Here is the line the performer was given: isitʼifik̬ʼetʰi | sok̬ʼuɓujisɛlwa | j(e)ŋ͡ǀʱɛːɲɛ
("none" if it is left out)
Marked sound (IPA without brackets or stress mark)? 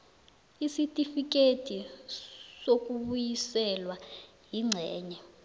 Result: i